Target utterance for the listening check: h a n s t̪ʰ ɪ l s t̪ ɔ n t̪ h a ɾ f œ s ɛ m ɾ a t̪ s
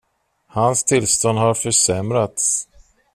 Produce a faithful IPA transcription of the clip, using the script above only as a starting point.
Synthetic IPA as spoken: h a n s t̪ʰ ɪ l s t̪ ɔ n d̪ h a ɾ f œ ʂ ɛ m ɾ a t̪ s